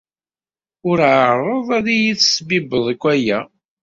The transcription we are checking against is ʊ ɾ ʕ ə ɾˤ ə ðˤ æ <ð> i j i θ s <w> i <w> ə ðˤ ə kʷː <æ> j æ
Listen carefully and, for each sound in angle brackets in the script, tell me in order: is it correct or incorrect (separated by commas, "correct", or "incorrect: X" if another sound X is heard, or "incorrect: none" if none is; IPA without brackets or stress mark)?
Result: correct, incorrect: b, incorrect: b, correct